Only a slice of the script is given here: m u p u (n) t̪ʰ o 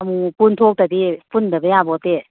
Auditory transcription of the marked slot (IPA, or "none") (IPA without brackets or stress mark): n